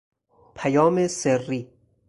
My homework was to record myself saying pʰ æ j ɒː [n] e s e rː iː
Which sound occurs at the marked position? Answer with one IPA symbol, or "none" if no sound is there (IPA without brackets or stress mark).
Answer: m